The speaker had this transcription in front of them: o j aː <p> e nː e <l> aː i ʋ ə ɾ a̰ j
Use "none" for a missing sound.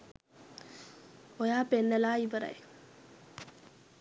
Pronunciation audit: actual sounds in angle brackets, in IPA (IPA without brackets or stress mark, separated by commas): p, l